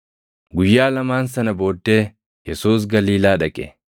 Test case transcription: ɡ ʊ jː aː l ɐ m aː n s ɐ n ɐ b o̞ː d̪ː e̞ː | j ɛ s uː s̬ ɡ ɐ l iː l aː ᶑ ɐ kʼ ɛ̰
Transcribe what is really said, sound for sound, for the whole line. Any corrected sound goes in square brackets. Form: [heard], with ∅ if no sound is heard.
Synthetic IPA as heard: ɡ ʊ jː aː l ɐ m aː n s ɐ n ɐ b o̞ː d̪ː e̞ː | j ɛ s uː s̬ ɡ ɐ l iː l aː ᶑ ɐ kʼ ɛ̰